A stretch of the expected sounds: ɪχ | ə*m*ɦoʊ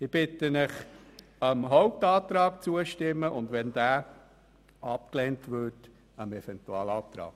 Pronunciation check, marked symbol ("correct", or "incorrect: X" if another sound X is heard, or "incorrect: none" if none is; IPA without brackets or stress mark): correct